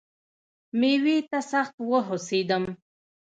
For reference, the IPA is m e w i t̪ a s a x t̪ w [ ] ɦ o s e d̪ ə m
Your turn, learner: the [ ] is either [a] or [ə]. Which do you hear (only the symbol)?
ə